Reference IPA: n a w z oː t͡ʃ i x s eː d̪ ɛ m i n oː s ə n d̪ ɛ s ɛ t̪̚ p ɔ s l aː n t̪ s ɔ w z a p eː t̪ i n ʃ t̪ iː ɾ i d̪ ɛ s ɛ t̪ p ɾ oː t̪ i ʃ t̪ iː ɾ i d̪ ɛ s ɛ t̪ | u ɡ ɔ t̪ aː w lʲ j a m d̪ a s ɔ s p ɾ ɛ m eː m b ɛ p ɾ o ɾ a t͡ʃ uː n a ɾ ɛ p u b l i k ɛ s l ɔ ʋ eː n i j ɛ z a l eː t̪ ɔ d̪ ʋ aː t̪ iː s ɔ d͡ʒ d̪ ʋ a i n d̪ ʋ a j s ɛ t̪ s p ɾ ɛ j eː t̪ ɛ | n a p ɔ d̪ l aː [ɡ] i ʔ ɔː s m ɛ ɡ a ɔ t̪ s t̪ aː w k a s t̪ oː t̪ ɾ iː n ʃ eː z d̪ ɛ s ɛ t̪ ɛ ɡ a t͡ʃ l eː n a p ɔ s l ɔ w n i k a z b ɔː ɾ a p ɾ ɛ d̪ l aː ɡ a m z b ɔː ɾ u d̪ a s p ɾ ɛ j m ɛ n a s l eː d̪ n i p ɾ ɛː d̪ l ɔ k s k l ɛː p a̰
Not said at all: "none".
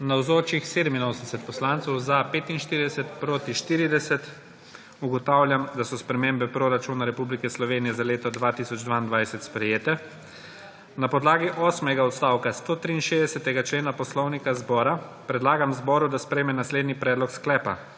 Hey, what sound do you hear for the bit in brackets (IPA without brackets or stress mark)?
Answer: ɡ